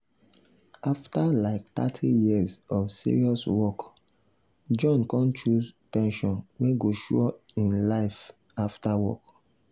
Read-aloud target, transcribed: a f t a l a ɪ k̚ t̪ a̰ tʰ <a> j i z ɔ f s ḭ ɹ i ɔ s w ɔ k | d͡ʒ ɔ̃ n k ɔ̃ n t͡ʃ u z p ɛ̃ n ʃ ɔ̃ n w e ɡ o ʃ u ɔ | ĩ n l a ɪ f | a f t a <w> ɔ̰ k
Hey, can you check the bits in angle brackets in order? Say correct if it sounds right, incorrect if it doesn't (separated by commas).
incorrect, correct